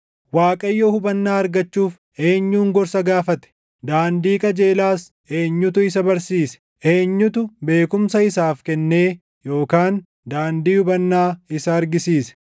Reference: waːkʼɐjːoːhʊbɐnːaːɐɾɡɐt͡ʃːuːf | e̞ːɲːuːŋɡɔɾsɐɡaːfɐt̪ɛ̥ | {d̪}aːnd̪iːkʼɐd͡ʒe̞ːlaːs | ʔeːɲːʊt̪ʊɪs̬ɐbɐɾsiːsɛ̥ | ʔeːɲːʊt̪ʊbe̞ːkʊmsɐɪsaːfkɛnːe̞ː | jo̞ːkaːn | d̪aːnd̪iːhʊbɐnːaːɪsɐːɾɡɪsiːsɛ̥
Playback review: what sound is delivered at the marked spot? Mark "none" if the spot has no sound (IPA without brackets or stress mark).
d̪